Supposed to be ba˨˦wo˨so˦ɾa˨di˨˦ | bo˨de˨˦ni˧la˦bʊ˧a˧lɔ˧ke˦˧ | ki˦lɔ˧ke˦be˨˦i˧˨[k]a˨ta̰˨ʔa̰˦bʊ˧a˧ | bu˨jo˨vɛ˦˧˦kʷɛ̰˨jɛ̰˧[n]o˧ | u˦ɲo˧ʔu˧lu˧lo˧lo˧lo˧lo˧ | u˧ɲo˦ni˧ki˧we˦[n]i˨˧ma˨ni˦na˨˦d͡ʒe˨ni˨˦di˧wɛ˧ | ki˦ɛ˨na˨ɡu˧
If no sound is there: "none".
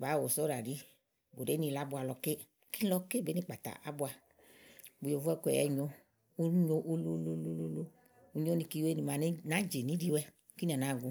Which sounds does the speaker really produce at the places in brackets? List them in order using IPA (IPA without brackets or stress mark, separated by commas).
k͡p, ɲ, n